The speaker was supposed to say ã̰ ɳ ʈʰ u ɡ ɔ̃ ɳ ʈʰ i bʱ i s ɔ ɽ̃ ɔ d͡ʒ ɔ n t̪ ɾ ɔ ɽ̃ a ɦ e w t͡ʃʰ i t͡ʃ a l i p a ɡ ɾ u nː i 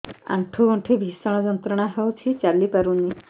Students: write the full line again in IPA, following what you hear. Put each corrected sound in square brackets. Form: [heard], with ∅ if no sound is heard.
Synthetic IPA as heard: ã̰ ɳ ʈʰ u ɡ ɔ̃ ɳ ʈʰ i bʱ i s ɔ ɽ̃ ɔ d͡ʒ ɔ n t̪ ɾ ɔ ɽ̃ a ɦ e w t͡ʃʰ i t͡ʃ a l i p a [∅] ɾ u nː i

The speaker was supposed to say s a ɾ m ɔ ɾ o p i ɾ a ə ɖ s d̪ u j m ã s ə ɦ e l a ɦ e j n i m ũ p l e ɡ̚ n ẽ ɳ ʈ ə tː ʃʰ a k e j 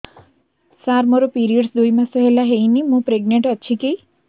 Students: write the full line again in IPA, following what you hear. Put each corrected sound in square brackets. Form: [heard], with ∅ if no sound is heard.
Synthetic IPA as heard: s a ɾ m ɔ ɾ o p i ɾ [i] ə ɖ s d̪ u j m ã s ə ɦ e l a ɦ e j n i m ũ p [ɾ] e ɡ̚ n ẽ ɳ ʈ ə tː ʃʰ [i] k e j

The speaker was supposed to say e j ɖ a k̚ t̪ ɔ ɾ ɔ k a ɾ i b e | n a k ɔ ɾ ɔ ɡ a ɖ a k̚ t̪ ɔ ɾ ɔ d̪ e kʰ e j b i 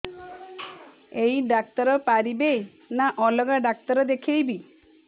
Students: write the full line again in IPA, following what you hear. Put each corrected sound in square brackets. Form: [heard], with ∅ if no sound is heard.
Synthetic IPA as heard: e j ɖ a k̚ t̪ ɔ ɾ ɔ [p] a ɾ i b e | n a [ʔ] ɔ [l] ɔ ɡ a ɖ a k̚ t̪ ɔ ɾ ɔ d̪ e kʰ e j b i

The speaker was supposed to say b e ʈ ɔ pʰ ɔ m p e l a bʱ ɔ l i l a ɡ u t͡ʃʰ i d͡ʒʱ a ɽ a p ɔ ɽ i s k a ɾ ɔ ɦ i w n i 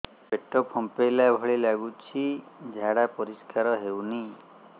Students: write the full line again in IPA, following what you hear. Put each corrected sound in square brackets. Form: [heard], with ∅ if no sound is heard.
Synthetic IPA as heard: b e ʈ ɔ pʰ ɔ m p e l a bʱ ɔ [ɭ] i l a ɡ u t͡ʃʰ i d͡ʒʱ a ɽ a p ɔ [ɾ] i s k a ɾ ɔ ɦ [e] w n i

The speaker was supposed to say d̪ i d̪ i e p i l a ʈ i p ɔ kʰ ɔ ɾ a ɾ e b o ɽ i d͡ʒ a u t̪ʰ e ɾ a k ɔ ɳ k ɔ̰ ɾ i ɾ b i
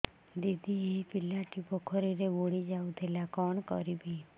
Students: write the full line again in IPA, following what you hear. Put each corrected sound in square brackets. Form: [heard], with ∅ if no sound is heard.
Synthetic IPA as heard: d̪ i d̪ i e p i l a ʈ i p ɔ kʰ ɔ ɾ [i] ɾ e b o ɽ i d͡ʒ a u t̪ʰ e [l] a k ɔ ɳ k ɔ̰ ɾ i [∅] b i

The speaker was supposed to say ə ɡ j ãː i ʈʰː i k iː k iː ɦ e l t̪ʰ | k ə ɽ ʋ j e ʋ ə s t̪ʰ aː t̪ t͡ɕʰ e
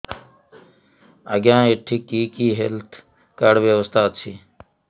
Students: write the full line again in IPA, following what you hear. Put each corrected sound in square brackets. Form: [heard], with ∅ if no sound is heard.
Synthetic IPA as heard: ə ɡ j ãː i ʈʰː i k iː k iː ɦ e l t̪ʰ | k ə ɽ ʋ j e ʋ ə s [t̪] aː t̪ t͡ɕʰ [i]

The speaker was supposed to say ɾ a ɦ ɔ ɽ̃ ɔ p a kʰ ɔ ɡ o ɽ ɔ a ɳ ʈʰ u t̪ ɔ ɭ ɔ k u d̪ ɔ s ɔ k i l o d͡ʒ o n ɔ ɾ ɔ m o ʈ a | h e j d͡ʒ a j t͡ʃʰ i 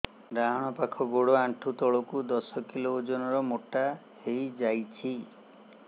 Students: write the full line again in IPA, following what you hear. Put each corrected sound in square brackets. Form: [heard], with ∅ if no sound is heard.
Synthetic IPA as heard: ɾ a ɦ ɔ ɽ̃ ɔ p a kʰ ɔ ɡ o ɽ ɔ a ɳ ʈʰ u t̪ ɔ ɭ ɔ k u d̪ ɔ s ɔ k i l o d͡ʒ [ɔ] n ɔ ɾ ɔ m o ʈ a | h e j d͡ʒ a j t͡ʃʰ i

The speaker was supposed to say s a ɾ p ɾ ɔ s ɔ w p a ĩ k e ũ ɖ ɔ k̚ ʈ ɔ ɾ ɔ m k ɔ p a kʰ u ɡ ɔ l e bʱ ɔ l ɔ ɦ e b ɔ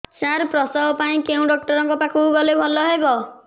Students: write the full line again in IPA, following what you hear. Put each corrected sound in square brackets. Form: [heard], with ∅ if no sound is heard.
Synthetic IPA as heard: s a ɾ p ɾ ɔ s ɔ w p a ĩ k e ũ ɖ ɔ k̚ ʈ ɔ ɾ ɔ [ŋ] k ɔ p a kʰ u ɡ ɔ l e bʱ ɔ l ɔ ɦ e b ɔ

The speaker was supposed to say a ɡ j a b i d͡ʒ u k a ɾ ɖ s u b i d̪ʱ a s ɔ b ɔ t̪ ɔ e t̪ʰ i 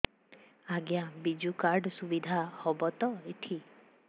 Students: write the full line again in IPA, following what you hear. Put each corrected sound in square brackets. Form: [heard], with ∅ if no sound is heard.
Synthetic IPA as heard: a ɡ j a b i d͡ʒ u k a ɾ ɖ s u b i d̪ʱ a [h] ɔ b ɔ t̪ ɔ e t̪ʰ i

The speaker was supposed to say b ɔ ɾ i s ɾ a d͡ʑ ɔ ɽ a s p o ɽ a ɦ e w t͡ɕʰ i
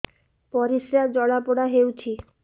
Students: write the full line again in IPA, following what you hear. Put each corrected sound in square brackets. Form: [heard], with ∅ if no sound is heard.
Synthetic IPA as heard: [p] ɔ ɾ i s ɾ a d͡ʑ ɔ ɽ a [∅] p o ɽ a ɦ e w t͡ɕʰ i

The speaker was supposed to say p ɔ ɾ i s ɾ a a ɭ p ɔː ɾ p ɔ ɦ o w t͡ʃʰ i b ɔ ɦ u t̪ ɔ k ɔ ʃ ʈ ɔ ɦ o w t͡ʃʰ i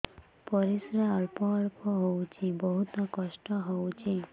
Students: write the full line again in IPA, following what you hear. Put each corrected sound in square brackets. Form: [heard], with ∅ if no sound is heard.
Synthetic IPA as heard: p ɔ ɾ i s ɾ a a ɭ p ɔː [ɭ] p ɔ ɦ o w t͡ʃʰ i b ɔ ɦ u t̪ ɔ k ɔ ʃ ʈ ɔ ɦ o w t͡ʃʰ i

